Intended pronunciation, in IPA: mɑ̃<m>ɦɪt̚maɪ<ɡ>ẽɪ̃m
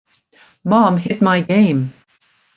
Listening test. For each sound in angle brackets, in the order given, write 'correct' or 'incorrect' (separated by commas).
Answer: correct, correct